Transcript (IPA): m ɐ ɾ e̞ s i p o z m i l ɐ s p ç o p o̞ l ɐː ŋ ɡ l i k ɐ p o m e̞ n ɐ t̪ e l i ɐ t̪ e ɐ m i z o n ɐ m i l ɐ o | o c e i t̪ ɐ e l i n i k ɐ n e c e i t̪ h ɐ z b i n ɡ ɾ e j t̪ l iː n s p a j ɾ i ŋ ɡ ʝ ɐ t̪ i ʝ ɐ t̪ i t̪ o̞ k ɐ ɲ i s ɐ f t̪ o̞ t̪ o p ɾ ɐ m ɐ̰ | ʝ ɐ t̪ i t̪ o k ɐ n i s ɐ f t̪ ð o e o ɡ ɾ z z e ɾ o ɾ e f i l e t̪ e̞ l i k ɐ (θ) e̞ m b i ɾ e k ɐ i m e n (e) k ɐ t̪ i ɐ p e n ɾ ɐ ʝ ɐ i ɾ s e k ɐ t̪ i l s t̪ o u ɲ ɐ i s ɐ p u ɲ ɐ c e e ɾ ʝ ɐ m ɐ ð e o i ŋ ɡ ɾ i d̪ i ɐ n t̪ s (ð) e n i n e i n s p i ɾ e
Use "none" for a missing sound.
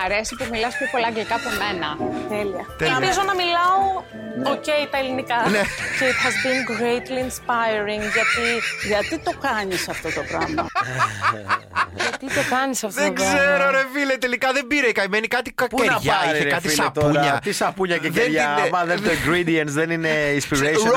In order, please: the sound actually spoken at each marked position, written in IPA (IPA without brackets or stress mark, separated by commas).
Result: ð, i, ð